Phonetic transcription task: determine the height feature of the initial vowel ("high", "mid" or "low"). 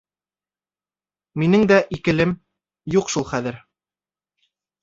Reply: high